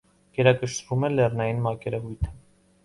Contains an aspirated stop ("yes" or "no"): yes